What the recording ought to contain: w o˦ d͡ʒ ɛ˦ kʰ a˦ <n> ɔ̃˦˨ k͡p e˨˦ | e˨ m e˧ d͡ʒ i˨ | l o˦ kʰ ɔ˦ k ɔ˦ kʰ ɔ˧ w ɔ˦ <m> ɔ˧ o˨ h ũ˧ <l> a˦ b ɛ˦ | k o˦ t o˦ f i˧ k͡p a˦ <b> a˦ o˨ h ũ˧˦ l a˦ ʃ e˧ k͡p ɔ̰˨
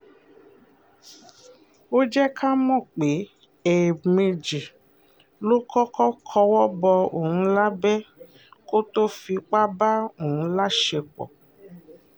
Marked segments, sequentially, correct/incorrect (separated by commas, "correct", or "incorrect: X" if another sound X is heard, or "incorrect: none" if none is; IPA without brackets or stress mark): incorrect: m, incorrect: b, correct, correct